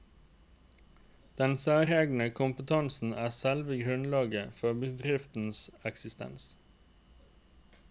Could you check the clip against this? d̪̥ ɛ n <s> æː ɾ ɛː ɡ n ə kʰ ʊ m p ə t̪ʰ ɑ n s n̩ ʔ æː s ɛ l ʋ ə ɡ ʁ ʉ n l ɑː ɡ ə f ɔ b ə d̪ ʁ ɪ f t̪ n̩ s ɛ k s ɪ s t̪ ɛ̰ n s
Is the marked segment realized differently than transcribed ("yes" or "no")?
no